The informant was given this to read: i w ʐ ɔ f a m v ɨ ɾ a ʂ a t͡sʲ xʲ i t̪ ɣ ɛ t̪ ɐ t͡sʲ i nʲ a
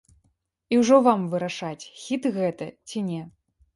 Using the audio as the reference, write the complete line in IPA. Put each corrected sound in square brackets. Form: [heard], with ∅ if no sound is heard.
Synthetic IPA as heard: i w ʐ ɔ [v] a m v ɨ ɾ a ʂ a t͡sʲ xʲ i t̪ ɣ ɛ t̪ ɐ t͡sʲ i nʲ [ɛ]